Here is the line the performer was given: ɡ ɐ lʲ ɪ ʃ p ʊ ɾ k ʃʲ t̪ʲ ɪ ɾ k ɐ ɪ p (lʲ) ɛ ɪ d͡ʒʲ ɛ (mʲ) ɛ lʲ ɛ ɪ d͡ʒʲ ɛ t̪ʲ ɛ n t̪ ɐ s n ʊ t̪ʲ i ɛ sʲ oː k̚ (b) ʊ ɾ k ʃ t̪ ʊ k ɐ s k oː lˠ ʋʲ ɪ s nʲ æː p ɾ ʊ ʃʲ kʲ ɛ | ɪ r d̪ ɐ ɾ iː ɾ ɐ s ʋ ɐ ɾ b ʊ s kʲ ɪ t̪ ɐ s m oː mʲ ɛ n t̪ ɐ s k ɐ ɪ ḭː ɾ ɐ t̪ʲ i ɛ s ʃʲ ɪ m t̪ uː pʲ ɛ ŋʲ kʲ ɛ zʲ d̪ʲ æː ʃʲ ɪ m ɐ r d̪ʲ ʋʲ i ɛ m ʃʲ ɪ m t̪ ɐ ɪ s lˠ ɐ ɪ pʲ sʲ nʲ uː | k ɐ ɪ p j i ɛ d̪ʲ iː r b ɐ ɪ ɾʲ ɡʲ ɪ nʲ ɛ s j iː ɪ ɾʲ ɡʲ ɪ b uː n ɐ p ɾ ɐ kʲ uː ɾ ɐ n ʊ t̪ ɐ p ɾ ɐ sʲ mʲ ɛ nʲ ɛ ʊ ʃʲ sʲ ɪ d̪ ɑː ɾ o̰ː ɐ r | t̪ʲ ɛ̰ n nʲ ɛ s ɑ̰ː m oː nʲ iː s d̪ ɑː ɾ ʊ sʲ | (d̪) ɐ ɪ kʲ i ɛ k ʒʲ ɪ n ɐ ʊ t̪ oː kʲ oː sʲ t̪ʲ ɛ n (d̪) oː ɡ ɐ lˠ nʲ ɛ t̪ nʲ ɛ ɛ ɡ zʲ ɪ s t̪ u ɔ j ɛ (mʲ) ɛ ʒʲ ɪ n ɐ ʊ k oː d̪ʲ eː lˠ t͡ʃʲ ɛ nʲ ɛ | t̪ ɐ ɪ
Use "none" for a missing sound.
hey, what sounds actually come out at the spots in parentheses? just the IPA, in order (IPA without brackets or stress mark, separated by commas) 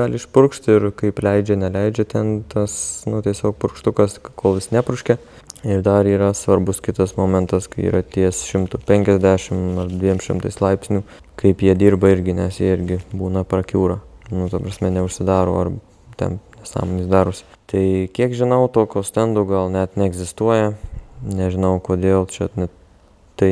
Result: lʲ, nʲ, p, t̪, d̪, nʲ